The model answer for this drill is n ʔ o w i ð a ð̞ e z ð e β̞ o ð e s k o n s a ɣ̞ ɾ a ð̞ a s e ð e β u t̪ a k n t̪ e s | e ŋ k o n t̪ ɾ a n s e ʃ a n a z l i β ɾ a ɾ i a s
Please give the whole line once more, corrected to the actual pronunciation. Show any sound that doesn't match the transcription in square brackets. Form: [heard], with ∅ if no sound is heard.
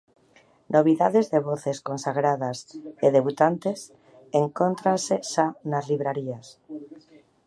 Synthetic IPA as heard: n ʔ o [β] i ð a ð̞ e z ð e β̞ o [θ] e s k o n s a ɣ̞ ɾ a ð̞ a s e ð e β u t̪ a [∅] n t̪ e s | e ŋ k o n t̪ ɾ a n s e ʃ a n a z l i β ɾ a ɾ i a s